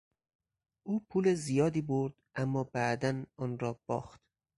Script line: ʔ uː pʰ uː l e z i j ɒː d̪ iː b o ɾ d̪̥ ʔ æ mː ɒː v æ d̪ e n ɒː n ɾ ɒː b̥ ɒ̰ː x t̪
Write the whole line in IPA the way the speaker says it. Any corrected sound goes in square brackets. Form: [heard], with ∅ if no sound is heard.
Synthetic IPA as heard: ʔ uː pʰ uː l e z i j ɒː d̪ iː b o ɾ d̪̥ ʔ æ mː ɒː [b] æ d̪ [æ] n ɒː n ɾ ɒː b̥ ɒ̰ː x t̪